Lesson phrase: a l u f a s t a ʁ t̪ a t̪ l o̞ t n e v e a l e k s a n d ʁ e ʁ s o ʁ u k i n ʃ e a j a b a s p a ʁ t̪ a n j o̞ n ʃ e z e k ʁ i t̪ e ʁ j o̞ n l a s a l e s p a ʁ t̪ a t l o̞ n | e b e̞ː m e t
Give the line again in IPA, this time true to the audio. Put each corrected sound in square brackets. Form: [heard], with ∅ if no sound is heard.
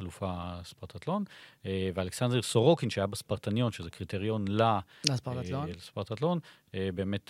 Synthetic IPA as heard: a l u f a s [p] a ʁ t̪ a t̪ l o̞ [∅] n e v e a l e k s a n d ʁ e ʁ s o ʁ [o] k i n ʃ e a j a b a s p a ʁ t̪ a n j o̞ n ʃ e z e k ʁ i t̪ e ʁ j o̞ n l a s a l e s p a ʁ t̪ a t l o̞ n | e b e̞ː m e t